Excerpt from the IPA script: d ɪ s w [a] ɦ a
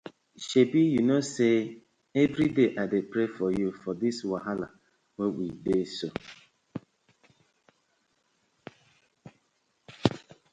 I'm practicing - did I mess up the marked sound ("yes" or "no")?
no